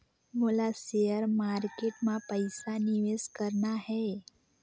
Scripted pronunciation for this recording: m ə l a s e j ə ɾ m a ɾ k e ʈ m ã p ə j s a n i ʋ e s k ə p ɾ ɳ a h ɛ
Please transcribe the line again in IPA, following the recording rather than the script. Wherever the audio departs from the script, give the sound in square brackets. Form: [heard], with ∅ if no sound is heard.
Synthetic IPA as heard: m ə l a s e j ə ɾ m a ɾ k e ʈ m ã p ə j s a n i ʋ e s k ə [∅] ɾ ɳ a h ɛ